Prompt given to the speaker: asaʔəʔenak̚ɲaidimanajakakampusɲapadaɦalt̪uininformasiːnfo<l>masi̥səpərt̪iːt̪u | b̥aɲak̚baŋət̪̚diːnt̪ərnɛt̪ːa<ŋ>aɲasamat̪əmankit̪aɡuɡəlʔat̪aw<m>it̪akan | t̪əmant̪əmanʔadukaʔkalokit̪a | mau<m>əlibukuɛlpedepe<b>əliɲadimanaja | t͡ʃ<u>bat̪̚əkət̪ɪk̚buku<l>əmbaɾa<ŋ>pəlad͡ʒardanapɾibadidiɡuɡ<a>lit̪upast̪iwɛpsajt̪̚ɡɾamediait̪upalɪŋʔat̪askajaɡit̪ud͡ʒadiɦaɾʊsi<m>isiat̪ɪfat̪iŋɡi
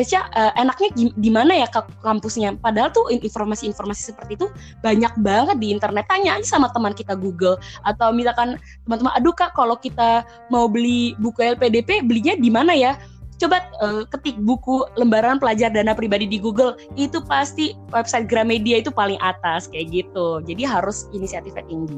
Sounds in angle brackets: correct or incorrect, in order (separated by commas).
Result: incorrect, incorrect, correct, incorrect, correct, incorrect, correct, incorrect, incorrect, incorrect